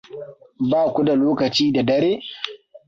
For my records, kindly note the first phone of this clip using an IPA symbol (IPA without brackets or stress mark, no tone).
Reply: b